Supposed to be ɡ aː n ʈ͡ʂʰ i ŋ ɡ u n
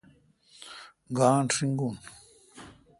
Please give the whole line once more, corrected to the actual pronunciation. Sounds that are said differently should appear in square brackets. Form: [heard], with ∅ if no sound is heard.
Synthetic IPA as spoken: ɡ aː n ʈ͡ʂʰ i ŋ ɡ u n